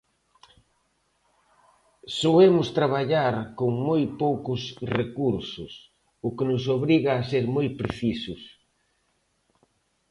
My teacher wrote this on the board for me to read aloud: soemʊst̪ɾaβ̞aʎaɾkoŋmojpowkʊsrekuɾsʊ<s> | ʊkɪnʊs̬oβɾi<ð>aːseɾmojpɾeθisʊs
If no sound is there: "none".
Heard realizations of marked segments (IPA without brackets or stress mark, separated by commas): s, ɣ